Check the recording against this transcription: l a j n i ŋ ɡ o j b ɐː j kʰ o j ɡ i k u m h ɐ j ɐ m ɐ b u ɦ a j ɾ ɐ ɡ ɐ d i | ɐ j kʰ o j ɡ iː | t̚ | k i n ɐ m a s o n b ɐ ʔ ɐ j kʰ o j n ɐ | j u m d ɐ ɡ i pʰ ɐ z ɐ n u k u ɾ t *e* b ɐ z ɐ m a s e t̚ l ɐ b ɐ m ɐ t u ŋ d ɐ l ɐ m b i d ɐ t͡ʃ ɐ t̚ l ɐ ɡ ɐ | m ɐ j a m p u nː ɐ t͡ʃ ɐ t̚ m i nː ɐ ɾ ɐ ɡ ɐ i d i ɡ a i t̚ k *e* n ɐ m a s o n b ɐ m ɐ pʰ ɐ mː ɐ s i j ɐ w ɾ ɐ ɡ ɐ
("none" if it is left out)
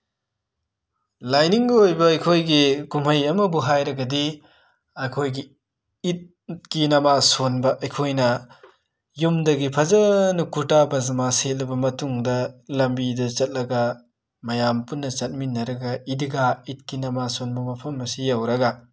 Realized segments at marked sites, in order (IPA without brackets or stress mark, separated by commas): a, i